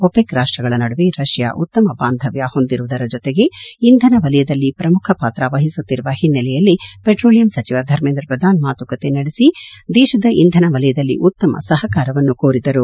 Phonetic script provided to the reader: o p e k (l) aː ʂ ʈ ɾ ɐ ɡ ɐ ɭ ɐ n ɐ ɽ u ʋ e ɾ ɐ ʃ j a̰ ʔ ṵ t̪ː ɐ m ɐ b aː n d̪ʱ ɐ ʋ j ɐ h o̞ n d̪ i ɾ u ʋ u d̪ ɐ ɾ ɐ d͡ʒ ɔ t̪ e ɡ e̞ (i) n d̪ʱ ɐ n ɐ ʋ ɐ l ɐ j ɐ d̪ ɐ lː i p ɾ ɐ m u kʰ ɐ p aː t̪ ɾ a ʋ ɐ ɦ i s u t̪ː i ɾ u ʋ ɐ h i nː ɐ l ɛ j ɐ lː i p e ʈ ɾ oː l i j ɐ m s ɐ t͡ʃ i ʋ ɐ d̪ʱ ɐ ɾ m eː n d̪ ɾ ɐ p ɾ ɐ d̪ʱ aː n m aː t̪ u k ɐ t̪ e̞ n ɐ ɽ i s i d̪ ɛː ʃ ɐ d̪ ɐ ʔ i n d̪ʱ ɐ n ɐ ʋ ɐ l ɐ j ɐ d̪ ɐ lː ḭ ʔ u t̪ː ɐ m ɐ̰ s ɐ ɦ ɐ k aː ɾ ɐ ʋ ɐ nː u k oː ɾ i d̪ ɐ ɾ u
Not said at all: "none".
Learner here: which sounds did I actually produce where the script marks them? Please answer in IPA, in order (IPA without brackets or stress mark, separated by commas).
ɾ, i